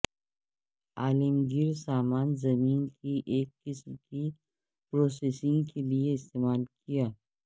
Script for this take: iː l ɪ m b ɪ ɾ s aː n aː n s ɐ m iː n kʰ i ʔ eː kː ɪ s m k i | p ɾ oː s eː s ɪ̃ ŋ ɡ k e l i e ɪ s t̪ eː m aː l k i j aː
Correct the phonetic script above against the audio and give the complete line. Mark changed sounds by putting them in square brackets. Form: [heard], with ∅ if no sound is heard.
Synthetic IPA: [aː] l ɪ m [ɡ] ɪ ɾ s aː [m] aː n [z] ɐ m iː n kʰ i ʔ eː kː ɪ s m k i | p ɾ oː s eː s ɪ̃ ŋ ɡ k e l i e ɪ s t̪ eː m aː l k i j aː